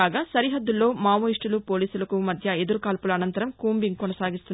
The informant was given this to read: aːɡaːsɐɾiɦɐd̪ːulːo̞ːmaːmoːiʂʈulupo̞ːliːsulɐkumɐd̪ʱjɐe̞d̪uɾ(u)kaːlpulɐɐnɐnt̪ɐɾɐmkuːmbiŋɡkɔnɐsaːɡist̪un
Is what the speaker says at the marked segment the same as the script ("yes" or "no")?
yes